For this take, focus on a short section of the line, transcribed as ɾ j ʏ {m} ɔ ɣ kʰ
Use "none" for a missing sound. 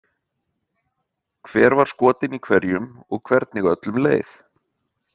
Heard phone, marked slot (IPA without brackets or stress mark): m